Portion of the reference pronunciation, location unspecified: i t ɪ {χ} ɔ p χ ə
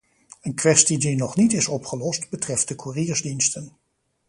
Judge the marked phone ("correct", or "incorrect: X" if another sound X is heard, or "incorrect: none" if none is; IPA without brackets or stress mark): incorrect: s